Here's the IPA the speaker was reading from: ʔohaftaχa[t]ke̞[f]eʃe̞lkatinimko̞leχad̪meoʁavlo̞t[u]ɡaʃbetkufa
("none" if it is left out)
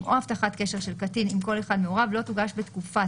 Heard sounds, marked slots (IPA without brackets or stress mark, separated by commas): t, ʃ, u